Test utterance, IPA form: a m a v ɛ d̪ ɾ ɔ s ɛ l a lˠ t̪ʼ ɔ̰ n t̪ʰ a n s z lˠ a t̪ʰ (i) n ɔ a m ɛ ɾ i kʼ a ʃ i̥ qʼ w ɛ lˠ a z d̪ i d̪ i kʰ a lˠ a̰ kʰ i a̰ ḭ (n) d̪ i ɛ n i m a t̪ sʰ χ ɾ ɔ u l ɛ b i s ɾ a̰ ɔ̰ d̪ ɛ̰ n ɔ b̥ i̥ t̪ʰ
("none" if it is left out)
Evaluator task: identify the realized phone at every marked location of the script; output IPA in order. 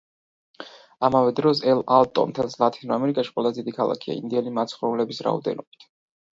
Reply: i, n

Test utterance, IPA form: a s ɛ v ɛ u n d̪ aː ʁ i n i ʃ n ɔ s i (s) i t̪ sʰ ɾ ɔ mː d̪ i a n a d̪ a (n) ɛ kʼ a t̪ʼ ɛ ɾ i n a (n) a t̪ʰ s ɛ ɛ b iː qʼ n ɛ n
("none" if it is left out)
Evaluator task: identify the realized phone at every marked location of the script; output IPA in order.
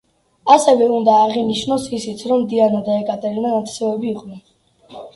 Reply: s, none, n

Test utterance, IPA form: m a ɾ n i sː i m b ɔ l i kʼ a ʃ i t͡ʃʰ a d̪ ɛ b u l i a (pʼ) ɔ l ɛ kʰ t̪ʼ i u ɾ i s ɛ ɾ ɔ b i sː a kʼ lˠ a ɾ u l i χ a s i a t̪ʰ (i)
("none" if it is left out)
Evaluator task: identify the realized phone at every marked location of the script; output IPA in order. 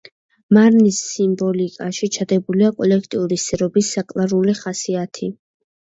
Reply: kʼ, i

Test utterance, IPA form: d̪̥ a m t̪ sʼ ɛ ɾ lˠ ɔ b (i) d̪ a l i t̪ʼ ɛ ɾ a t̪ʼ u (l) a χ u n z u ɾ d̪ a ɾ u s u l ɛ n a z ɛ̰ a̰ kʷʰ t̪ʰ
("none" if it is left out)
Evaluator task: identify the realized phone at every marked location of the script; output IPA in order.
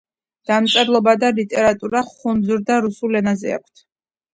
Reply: a, ɾ

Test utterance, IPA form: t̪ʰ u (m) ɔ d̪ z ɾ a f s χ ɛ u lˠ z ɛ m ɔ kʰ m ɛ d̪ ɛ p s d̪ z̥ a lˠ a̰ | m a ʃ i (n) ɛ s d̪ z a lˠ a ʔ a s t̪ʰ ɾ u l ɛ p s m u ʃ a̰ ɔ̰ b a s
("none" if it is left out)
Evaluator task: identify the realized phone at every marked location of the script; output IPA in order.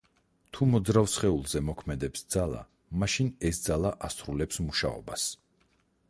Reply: m, n

